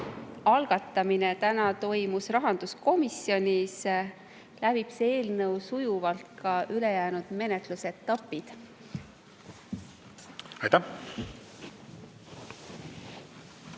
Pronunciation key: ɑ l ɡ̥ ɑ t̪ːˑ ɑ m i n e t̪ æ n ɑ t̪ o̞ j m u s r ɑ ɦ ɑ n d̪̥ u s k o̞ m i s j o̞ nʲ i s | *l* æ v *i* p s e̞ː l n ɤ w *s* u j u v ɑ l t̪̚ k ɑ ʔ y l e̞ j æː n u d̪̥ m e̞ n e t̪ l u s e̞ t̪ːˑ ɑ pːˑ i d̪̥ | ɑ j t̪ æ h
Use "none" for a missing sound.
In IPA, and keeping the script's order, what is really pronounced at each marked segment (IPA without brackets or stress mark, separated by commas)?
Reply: l, i, s